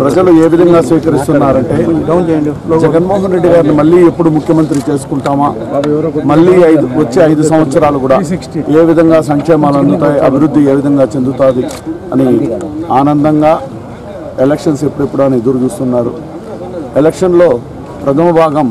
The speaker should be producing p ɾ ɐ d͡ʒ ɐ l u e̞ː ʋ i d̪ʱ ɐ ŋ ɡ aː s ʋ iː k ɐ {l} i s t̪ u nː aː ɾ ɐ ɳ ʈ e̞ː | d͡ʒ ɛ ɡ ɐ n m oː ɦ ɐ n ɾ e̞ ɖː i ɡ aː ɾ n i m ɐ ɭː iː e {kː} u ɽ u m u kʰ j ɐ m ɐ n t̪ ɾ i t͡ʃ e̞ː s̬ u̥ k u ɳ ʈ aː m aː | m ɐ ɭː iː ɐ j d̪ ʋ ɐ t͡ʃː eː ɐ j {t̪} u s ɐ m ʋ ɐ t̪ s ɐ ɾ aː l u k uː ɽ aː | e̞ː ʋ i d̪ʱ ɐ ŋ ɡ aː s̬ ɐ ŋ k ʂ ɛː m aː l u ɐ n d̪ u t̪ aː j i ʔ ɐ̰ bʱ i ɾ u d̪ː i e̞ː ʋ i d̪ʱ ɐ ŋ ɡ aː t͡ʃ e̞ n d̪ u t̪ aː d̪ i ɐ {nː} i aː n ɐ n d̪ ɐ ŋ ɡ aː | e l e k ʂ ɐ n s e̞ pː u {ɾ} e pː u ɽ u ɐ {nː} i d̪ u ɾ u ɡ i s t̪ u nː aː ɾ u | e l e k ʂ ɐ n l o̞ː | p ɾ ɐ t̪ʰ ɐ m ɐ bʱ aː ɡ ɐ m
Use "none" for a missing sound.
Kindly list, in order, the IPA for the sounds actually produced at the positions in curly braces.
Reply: ɾ, pː, d̪, n, ɽ, n

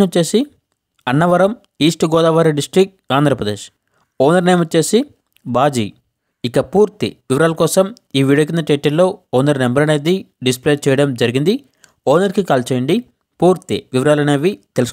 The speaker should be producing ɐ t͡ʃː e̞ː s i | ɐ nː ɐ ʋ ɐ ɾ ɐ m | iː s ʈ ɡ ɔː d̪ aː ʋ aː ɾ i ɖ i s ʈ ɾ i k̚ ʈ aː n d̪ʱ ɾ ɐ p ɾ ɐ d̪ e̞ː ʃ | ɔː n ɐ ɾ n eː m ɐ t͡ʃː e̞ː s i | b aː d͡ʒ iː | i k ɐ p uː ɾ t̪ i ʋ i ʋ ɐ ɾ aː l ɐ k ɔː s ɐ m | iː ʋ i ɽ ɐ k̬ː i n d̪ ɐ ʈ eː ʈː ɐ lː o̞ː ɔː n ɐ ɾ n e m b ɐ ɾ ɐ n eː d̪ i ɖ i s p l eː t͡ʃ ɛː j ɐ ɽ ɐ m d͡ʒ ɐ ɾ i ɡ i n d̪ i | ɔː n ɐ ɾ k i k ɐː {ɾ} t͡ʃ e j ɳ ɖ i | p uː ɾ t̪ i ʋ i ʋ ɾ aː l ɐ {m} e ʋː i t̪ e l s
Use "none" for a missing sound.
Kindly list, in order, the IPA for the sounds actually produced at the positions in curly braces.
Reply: l, n

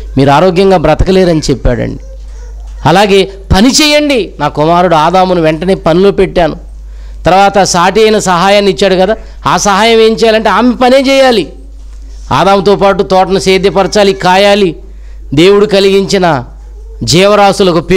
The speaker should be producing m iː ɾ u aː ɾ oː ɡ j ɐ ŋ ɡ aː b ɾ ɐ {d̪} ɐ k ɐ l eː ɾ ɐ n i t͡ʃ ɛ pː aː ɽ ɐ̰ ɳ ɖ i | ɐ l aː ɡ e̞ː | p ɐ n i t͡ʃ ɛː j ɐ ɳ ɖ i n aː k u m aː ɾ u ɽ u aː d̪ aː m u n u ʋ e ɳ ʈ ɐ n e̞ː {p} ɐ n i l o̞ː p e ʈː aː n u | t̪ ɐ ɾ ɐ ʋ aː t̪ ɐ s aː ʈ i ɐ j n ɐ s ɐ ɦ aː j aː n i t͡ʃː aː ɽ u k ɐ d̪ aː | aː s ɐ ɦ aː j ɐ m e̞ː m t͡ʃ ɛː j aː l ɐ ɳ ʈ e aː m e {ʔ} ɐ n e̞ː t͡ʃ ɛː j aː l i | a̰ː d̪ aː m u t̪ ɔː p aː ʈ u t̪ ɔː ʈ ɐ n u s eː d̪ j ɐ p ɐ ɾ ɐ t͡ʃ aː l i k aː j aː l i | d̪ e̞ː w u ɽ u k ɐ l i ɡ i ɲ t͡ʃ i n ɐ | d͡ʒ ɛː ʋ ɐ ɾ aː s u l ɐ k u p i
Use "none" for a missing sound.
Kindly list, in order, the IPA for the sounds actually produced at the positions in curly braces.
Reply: t̪, p, p

